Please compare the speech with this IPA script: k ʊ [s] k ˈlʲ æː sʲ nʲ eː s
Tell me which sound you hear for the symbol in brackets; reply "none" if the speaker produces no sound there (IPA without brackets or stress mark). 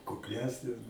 none